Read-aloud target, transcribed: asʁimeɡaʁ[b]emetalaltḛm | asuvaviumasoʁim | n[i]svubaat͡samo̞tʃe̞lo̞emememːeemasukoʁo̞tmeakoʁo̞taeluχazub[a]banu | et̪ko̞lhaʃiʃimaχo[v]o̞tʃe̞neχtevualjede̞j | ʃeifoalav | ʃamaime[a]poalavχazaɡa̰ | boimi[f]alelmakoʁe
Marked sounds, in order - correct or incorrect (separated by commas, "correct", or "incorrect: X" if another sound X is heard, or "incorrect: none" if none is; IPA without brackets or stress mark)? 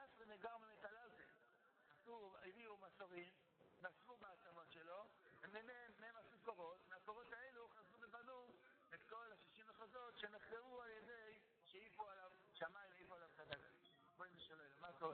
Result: incorrect: m, incorrect: a, incorrect: e, incorrect: z, incorrect: i, incorrect: ʃ